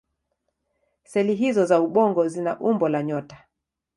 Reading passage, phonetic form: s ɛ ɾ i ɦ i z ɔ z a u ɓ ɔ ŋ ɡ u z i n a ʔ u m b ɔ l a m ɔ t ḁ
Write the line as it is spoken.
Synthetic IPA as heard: s ɛ l i ɦ i z ɔ z a u ɓ ɔ ŋ ɡ ɔ z i n a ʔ u m b ɔ l a ɲ ɔ t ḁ